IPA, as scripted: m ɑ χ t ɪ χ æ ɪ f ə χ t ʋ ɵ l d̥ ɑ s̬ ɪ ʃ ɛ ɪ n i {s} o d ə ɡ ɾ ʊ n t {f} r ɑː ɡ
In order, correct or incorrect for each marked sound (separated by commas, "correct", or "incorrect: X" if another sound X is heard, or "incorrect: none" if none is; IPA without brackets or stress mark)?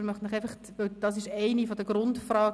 incorrect: f, correct